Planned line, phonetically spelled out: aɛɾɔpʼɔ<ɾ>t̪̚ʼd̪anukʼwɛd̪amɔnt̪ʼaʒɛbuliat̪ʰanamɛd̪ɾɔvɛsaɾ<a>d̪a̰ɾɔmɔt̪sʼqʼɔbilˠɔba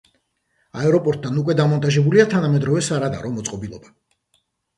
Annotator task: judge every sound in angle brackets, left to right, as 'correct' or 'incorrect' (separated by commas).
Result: correct, correct